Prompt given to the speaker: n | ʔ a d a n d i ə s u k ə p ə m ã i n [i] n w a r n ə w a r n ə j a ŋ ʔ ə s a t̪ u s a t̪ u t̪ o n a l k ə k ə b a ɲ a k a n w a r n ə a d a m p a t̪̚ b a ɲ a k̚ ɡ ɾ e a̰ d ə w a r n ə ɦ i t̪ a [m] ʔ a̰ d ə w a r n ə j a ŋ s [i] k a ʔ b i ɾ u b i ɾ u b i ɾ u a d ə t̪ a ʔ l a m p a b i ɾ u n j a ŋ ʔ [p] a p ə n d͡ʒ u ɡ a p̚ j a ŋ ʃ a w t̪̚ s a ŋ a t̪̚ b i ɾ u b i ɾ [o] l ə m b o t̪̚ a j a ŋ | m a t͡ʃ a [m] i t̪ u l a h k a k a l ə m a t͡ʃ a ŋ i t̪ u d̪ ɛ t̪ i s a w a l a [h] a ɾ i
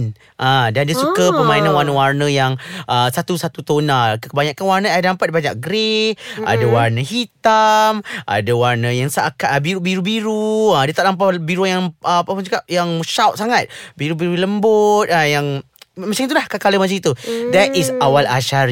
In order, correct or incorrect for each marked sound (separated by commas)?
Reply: incorrect, correct, incorrect, correct, incorrect, incorrect, incorrect